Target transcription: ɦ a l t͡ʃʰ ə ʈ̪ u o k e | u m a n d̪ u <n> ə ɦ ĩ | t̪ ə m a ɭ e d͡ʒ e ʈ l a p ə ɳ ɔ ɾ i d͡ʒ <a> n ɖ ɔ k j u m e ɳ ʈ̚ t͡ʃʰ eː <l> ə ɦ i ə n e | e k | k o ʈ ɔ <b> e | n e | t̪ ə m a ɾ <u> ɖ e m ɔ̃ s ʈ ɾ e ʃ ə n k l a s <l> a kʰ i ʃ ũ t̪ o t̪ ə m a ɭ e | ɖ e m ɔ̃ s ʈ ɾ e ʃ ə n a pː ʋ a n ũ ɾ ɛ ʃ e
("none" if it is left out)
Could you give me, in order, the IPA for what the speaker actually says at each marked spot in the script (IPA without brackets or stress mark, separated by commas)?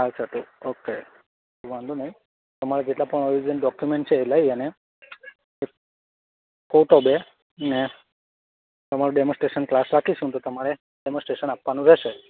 n, ə, l, b, u, ɾ